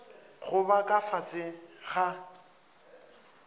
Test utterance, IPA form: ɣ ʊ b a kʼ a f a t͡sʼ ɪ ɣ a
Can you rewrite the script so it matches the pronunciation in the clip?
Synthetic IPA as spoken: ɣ ʊ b a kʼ a f a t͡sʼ ɪ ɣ a